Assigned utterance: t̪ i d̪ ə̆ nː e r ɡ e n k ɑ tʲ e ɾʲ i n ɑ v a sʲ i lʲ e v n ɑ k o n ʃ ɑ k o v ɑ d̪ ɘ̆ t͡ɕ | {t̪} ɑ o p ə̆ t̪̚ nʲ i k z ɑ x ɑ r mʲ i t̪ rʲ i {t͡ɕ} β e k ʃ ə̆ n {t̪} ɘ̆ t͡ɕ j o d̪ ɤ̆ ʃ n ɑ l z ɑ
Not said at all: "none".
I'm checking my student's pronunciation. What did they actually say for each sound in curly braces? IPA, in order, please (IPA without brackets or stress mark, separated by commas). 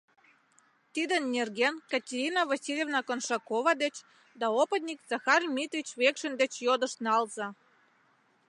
d̪, t͡ɕ, d̪